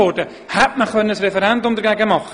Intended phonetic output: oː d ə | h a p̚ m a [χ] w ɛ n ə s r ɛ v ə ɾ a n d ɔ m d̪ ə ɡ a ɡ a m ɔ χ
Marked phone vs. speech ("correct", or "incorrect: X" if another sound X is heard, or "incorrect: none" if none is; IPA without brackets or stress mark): correct